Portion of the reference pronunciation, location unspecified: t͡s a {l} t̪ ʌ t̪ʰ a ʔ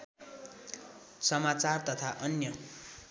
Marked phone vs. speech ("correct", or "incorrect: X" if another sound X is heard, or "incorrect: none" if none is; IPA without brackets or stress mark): incorrect: r